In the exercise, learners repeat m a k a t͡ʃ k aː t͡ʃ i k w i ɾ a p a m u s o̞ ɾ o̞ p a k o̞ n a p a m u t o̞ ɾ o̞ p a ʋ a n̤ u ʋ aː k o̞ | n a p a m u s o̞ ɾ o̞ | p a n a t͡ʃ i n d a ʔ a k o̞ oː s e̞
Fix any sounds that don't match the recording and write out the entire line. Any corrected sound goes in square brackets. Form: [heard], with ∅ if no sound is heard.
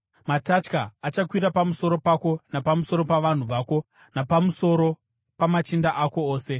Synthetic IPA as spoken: m a [t] a t͡ʃ k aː t͡ʃ [a] k w i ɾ a p a m u s o̞ ɾ o̞ p a k o̞ n a p a m u [s] o̞ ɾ o̞ p a ʋ a n̤ u ʋ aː k o̞ | n a p a m u s o̞ ɾ o̞ | p a [m] a t͡ʃ i n d a ʔ a k o̞ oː s e̞